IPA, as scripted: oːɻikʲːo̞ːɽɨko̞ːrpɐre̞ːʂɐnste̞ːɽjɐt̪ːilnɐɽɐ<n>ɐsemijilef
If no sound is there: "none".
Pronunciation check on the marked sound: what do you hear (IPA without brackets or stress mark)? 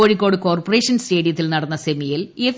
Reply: nː